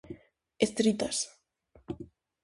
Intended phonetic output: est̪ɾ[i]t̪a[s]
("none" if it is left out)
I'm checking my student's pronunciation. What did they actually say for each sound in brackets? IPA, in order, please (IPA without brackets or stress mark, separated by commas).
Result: i, s